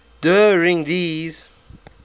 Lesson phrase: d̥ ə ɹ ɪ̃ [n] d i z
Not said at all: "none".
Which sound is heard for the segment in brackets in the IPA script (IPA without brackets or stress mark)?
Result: ŋ